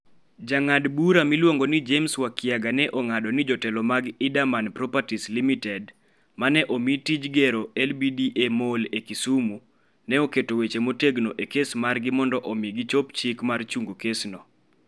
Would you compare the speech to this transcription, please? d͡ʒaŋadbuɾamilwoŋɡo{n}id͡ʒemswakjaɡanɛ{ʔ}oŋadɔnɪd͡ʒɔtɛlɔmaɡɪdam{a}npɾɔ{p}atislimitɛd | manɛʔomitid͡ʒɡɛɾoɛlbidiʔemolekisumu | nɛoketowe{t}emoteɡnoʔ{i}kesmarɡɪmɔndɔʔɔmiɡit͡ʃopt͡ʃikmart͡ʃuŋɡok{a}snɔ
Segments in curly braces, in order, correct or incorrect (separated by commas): correct, correct, correct, correct, incorrect, incorrect, incorrect